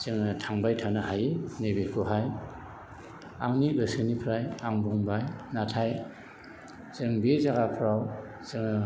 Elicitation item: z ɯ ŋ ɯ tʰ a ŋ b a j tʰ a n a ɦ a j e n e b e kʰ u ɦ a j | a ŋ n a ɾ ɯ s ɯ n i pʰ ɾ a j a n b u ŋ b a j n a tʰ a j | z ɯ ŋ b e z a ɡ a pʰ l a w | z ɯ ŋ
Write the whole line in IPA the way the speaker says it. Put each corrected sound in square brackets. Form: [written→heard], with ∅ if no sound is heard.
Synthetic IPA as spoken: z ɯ ŋ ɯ tʰ a ŋ b a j tʰ a n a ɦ a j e n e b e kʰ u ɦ a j | a ŋ n [a→i] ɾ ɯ s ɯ n i pʰ ɾ a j a [n→ŋ] b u ŋ b a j n a tʰ a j | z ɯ ŋ b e z a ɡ a pʰ [l→ɾ] a w | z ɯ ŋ